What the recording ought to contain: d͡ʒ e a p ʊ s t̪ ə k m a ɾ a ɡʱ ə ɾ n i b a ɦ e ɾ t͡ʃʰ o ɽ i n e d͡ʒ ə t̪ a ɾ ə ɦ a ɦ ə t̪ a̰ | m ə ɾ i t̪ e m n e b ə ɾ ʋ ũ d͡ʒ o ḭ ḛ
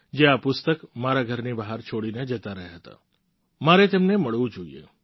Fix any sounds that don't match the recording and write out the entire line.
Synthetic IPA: d͡ʒ e a p ʊ s t̪ ə k m a ɾ a ɡʱ ə ɾ n i b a ɦ a ɾ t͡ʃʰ o ɽ i n e d͡ʒ ə t̪ a ɾ ə ɦ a ɦ ə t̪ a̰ | m a ɾ e t̪ e m n e m ə ɭ ʋ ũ d͡ʒ o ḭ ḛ